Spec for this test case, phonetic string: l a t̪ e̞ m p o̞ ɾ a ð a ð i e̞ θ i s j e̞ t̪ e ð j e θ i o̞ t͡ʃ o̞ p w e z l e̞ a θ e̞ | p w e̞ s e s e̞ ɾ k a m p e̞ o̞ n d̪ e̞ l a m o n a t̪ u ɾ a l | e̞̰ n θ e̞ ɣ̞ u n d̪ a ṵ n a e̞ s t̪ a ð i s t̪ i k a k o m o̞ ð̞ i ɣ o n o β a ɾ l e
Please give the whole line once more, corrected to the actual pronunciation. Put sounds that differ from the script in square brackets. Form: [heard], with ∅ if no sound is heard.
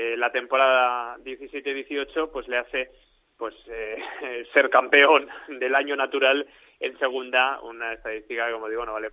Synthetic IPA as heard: l a t̪ e̞ m p o̞ ɾ a ð a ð [j] e̞ θ i s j e̞ t̪ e ð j e θ i o̞ t͡ʃ o̞ p w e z l e̞ a θ e̞ | p w e̞ s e s e̞ ɾ k a m p e̞ o̞ n d̪ e̞ l a [ɲ] o n a t̪ u ɾ a l | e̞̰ n [s] e̞ ɣ̞ u n d̪ a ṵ n a e̞ s t̪ a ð i s t̪ i k a k o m o̞ ð̞ i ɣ o n o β a [∅] l e